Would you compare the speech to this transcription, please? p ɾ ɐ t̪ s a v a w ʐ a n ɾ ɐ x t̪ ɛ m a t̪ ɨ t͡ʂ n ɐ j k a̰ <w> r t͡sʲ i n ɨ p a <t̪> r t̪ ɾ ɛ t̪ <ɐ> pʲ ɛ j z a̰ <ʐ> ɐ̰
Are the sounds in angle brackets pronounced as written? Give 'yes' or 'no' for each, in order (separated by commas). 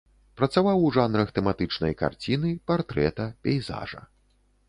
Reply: no, no, yes, yes